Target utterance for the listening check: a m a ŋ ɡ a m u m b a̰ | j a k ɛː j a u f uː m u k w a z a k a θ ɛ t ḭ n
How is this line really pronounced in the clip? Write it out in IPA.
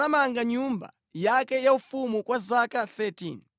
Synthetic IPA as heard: a m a ŋ ɡ a ɲ u m b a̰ | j a k ɛ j a u f u m u k w a z a k a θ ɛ t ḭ n

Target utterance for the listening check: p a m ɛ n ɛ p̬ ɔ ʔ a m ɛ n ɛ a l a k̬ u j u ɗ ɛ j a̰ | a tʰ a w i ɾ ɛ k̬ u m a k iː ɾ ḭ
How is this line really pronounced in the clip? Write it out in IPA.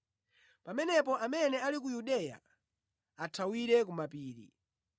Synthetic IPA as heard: p a m ɛ n ɛ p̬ ɔ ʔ a m ɛ n ɛ a l i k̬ u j u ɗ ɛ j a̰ | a tʰ a w i ɾ ɛ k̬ u m a p iː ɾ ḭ

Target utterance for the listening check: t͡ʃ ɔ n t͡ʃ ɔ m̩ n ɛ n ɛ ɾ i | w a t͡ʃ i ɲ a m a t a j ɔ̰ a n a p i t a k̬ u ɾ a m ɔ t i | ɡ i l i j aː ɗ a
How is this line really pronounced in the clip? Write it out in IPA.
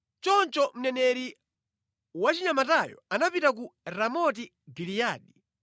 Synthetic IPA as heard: t͡ʃ ɔ n t͡ʃ ɔ m̩ n ɛ n ɛ ɾ i | w a t͡ʃ i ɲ a m a t a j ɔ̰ a n a p i t a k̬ u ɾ a m ɔ t i | ɡ i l i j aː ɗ i

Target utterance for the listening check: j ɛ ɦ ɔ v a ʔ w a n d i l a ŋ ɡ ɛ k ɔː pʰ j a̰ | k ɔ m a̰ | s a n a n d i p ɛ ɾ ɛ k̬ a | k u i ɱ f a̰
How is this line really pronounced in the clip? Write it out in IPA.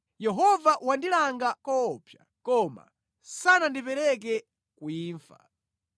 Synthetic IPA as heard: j ɛ ɦ ɔ v a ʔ w a n d i l a ŋ ɡ a k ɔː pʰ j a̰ | k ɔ m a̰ | s a n a n d i p ɛ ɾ ɛ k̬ ɛ | k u iː ɱ f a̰

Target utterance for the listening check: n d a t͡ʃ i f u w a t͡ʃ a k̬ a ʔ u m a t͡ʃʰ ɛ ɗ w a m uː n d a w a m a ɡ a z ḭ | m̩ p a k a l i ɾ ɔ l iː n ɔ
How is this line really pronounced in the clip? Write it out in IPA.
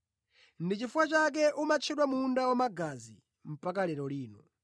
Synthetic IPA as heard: n d i t͡ʃ i f u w a t͡ʃ a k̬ ɛ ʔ u m a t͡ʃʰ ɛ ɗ w a m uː n d a w a m a ɡ a z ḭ | m̩ p a k a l ɛ ɾ ɔ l iː n ɔ

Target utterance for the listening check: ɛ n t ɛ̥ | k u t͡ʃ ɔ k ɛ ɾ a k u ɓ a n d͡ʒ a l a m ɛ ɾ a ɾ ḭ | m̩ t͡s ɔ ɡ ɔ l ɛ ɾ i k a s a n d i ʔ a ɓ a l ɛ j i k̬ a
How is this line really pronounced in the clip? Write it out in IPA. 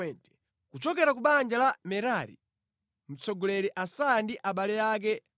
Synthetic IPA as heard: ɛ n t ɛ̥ | k u t͡ʃ ɔ k ɛ ɾ a k u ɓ a n d͡ʒ a l a m ɛ ɾ a ɾ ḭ | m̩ t͡s ɔ ɡ ɔ l ɛ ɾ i ʔ a s a n d i ʔ a ɓ a l ɛ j a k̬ ɛ

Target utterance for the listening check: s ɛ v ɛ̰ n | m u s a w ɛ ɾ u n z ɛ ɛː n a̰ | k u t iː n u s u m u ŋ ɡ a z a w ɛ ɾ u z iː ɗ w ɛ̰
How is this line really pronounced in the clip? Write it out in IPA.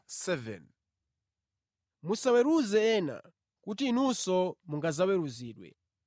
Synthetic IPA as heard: s ɛ v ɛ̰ n | m u s a w ɛ ɾ u z ɛ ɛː n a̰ | k u t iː n u s ɔ m u ŋ ɡ a z a w ɛ ɾ u z iː ɗ w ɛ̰

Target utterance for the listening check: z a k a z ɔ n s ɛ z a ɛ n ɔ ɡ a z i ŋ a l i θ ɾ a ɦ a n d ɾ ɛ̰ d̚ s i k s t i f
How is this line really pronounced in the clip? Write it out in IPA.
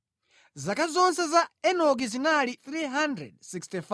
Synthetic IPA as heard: z a k a z ɔ n s ɛ z a ɛ n ɔ ɡ i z i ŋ a l i θ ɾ i ɦ a n d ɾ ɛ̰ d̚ s i k s t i f

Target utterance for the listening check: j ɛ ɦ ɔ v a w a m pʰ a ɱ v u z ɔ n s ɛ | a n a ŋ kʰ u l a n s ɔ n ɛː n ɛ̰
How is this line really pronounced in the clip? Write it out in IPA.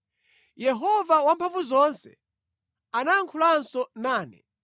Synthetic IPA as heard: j ɛ ɦ ɔ v a w a m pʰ a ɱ v u z ɔ n s ɛ | a n a ŋ kʰ u l a n s ɔ n aː n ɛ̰

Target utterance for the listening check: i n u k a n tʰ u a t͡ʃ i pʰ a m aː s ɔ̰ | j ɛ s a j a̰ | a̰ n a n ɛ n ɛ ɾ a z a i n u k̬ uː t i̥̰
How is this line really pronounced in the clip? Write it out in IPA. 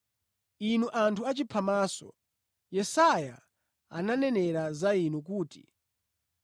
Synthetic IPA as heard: i n u ʔ a n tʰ u a t͡ʃ i pʰ a m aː s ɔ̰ | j ɛ s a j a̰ | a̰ n a n ɛ n ɛ ɾ a z a i n u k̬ uː t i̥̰

